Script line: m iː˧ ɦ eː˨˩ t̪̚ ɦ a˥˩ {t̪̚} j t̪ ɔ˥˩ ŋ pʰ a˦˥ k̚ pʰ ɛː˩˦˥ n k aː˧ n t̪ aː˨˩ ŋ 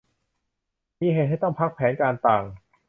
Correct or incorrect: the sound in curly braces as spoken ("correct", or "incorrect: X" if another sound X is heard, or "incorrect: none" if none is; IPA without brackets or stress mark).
incorrect: none